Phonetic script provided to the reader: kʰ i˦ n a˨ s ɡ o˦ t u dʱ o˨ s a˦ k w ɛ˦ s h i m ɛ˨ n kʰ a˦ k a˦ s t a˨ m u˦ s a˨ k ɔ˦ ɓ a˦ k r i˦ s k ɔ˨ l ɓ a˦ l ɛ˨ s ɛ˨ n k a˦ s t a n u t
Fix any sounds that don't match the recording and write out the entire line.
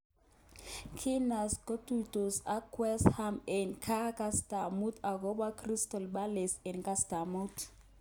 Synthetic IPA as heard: kʰ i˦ n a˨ s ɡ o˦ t u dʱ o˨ s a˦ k w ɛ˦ s h a m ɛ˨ n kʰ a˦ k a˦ s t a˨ m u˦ t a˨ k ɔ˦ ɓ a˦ k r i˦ s t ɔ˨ l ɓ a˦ l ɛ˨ s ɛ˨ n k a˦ s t a m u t